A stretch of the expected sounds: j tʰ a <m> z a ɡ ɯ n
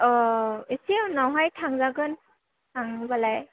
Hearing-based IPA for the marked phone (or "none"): ŋ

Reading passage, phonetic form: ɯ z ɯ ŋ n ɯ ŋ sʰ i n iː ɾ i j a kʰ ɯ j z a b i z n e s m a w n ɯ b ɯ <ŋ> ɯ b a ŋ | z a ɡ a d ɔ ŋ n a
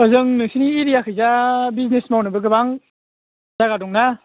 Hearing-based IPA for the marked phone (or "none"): ɡ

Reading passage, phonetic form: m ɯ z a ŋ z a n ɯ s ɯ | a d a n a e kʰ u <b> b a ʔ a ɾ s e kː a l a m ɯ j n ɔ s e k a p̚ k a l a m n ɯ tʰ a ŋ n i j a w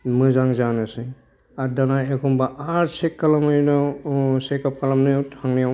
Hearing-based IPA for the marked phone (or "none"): m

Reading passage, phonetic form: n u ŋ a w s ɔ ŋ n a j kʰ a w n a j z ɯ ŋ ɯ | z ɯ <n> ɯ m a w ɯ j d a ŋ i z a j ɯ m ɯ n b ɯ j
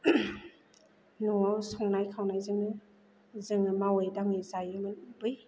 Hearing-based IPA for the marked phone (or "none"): ŋ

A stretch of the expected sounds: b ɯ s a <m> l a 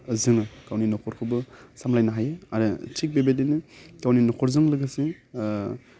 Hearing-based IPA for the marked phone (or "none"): m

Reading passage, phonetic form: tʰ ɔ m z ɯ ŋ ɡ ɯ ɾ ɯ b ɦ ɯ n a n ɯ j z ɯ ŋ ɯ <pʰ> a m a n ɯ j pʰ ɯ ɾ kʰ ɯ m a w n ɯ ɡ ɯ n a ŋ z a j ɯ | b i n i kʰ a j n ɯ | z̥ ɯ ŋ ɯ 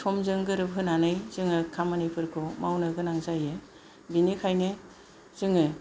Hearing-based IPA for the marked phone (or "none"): kʰ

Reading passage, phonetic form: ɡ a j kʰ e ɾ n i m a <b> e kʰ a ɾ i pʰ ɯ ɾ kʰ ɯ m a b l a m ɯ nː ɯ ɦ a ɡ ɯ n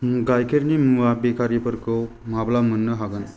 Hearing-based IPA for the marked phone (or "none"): b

